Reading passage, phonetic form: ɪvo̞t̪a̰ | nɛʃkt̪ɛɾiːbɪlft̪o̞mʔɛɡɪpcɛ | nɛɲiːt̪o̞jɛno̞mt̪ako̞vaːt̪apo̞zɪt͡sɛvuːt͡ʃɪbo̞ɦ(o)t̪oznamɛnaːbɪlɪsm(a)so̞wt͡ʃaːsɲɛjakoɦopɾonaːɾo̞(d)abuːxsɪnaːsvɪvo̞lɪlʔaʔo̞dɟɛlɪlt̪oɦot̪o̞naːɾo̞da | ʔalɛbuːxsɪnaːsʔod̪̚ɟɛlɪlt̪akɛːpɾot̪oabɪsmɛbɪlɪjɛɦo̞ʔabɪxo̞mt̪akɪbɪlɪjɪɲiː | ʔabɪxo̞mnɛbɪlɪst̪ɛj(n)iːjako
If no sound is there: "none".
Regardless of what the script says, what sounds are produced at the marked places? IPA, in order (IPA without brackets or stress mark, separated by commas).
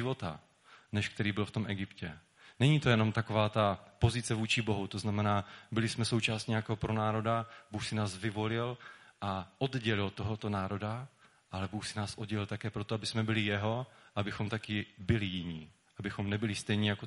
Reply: u, ɛ, d, ɲ